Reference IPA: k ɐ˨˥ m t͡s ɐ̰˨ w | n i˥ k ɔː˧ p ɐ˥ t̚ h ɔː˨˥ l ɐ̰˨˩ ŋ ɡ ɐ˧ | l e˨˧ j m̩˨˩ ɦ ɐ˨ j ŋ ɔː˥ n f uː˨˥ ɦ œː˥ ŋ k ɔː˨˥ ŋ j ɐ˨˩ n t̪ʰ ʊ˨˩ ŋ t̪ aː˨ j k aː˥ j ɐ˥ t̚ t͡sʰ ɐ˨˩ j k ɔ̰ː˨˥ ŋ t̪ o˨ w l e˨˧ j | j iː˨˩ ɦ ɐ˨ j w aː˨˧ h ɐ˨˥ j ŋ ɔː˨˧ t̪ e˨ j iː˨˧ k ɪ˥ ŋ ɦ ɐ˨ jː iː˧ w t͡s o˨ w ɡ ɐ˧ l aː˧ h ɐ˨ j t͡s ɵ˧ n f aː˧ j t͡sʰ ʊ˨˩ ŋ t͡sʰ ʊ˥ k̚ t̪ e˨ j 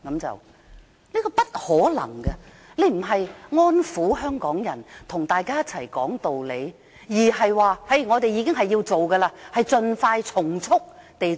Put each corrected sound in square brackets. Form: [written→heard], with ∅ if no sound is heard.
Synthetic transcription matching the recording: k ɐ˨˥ m t͡s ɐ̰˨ w | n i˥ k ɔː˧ p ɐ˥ t̚ h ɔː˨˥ l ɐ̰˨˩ ŋ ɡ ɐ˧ | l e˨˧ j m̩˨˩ ɦ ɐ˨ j ŋ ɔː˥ n f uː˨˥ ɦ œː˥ ŋ k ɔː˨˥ ŋ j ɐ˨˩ n t̪ʰ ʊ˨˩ ŋ t̪ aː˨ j k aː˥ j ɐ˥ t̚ t͡sʰ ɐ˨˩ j k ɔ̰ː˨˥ ŋ t̪ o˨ w l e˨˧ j | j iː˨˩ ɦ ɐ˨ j w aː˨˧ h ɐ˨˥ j ŋ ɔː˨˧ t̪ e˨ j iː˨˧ k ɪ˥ ŋ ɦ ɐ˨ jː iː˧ w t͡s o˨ w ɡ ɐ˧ l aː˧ h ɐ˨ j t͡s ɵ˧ n f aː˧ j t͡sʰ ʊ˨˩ ŋ t͡sʰ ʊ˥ k̚ t̪ e˨ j